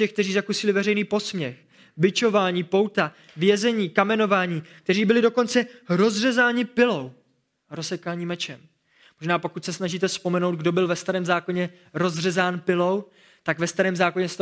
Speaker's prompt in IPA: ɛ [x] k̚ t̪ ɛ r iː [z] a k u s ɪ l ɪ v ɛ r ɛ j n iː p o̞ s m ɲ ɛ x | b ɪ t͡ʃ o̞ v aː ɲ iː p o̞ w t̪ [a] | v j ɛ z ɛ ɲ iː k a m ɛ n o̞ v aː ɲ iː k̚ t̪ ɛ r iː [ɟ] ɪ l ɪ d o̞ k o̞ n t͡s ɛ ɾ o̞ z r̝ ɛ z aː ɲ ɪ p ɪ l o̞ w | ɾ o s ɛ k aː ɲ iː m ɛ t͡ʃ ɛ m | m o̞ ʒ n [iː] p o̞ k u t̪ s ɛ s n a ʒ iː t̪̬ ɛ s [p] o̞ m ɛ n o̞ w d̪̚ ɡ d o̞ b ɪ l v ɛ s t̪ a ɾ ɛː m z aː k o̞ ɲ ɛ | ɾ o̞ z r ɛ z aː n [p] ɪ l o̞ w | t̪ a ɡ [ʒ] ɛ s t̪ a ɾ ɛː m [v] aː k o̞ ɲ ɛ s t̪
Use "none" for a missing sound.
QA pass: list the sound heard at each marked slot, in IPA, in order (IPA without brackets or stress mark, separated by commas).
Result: x, z, a, b, aː, p, p, v, z